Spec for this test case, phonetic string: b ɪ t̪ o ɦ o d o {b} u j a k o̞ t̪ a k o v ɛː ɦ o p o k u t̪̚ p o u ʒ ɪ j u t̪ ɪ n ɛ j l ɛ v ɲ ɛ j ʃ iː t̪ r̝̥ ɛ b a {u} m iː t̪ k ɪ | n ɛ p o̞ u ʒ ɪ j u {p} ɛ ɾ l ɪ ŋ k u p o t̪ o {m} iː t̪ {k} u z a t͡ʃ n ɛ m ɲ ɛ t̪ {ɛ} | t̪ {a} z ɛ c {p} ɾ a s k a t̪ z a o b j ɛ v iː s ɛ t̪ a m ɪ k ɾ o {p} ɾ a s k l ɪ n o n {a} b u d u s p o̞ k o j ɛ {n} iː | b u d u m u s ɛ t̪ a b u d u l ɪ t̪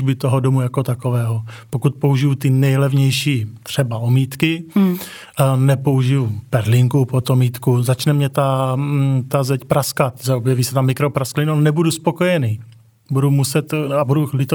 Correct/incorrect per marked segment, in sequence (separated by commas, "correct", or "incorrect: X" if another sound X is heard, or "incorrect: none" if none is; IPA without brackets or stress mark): incorrect: m, incorrect: o, correct, correct, correct, incorrect: a, correct, correct, correct, incorrect: ɛ, correct